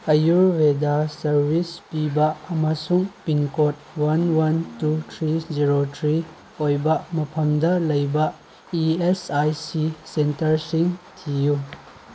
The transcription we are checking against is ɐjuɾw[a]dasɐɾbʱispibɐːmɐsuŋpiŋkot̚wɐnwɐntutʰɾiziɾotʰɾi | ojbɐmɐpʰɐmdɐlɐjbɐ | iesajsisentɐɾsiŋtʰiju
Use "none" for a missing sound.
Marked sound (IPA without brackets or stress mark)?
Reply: e